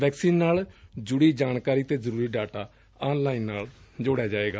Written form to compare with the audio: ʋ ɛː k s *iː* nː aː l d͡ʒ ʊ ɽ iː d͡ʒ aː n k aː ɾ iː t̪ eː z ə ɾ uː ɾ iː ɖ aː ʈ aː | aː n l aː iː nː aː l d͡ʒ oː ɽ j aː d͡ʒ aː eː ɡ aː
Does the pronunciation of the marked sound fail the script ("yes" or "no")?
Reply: no